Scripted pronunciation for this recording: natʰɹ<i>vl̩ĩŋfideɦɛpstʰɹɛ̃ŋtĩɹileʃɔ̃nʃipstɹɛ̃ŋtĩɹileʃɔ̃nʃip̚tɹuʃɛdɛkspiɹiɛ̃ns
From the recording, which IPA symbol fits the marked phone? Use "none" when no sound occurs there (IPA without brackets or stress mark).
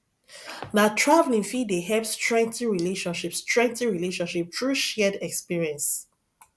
a